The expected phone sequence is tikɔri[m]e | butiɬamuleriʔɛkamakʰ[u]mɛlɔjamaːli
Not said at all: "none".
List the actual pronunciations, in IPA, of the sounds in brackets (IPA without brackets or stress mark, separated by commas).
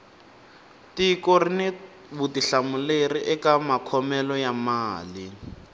n, ɔ